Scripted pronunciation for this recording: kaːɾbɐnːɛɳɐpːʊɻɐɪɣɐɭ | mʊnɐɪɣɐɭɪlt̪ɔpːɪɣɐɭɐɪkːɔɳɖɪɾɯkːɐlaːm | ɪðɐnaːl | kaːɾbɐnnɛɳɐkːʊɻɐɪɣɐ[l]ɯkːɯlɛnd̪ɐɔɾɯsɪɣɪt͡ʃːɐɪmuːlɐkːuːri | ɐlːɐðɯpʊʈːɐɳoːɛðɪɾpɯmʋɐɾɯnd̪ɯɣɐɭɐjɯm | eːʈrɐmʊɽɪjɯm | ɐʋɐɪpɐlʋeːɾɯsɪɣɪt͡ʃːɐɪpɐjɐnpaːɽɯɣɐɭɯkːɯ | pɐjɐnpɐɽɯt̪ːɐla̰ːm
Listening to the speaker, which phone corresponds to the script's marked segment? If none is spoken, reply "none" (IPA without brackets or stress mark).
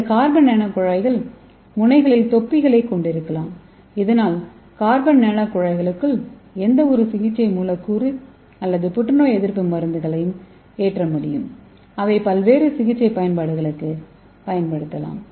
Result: ɭ